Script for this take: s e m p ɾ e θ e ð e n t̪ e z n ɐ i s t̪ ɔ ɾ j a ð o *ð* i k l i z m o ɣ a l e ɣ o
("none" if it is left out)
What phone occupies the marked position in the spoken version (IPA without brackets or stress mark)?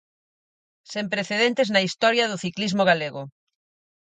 θ